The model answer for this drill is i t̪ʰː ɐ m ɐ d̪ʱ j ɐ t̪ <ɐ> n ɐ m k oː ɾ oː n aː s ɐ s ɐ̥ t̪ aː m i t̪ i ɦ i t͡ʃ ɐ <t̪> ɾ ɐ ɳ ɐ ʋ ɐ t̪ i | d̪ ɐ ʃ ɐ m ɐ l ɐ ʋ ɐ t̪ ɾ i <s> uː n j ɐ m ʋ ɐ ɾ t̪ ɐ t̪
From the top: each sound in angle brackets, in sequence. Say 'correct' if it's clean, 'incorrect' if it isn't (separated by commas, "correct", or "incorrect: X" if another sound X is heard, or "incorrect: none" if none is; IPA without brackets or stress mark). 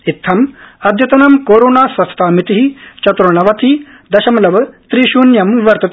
correct, correct, incorrect: ʃ